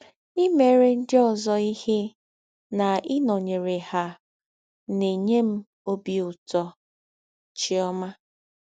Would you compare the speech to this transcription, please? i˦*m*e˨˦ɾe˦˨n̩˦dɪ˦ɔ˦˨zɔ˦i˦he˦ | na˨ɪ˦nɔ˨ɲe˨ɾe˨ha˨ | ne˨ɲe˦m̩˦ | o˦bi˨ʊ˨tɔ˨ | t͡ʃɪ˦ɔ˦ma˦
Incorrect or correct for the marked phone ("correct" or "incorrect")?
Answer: correct